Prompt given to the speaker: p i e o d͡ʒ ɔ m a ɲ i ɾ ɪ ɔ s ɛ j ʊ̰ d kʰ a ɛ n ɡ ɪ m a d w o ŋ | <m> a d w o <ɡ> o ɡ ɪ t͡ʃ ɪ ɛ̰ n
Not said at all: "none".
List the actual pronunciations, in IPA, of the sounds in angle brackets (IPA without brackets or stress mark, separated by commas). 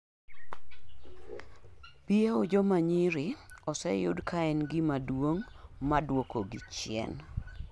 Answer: m, k